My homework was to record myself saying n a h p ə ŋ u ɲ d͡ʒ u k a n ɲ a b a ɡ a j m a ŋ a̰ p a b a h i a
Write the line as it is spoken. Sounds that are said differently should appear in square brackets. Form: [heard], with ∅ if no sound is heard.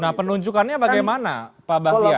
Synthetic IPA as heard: n a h p ə [n] u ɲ d͡ʒ u k a n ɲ a b a ɡ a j m a [n] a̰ p a b a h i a